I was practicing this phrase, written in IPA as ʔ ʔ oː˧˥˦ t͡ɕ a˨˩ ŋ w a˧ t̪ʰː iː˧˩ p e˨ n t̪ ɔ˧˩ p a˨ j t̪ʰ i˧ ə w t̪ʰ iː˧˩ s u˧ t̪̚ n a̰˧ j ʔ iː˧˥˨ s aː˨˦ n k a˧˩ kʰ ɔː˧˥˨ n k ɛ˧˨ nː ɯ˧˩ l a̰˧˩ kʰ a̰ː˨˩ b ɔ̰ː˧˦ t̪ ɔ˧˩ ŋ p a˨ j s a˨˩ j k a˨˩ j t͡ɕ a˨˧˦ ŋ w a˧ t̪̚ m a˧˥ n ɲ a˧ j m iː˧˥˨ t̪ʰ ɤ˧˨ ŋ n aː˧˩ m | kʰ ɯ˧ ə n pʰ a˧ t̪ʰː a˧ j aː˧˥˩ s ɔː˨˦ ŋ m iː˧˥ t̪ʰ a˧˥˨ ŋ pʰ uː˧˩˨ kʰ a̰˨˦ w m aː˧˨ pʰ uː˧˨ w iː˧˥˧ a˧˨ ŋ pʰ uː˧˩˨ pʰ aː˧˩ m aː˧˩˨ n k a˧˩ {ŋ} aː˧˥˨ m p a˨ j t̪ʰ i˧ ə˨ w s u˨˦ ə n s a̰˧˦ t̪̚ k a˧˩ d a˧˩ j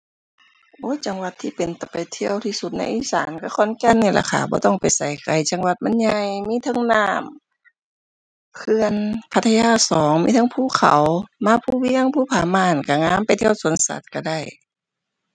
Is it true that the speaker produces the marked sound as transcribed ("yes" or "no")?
yes